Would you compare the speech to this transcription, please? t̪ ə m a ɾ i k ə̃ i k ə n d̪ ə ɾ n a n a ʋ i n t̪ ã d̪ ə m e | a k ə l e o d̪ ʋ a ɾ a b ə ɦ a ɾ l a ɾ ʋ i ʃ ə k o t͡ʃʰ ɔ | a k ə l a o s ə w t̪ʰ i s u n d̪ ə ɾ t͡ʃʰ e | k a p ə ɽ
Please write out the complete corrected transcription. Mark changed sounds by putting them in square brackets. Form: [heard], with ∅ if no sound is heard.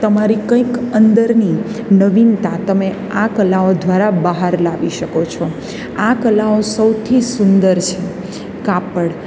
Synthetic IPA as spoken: t̪ ə m a ɾ i k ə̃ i k ə n d̪ ə ɾ n [i] n [ə] ʋ i n t̪ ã [t̪] ə m e | a k ə l [a] o d̪ ʋ a ɾ a b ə ɦ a ɾ l a [∅] ʋ i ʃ ə k o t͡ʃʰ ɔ | a k ə l a o s ə w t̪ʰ i s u n d̪ ə ɾ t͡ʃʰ e | k a p ə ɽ